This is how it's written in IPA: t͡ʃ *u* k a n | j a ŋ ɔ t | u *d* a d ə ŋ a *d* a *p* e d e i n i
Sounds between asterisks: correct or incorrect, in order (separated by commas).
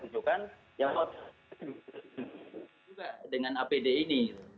correct, incorrect, incorrect, correct